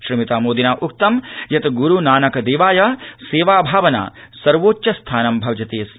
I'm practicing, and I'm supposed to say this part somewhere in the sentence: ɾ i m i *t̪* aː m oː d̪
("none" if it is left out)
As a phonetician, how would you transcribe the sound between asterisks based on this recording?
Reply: t̪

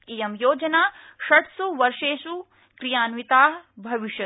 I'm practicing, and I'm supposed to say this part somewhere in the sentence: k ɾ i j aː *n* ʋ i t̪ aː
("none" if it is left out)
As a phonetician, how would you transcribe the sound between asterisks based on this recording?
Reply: n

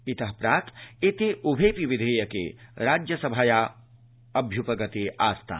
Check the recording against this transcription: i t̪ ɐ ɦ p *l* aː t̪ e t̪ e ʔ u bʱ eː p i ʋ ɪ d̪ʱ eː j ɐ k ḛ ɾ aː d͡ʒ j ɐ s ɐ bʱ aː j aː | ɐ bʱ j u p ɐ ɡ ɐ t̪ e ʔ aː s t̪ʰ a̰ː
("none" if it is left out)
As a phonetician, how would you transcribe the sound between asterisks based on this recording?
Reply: ɾ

